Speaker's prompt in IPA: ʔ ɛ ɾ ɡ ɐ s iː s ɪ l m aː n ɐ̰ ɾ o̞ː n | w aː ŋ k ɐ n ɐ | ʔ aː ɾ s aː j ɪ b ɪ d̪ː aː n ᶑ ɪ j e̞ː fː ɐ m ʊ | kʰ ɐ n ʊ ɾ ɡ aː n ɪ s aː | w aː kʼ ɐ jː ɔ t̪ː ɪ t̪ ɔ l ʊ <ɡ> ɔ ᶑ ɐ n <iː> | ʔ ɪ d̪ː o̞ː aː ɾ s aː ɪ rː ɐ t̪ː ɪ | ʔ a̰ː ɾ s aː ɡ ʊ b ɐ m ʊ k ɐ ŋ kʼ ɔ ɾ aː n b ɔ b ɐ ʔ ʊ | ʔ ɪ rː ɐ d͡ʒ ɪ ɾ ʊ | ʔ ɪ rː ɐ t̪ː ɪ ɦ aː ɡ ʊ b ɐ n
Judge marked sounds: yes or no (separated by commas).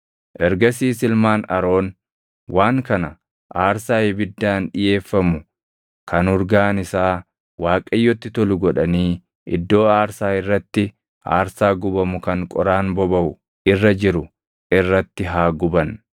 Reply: yes, yes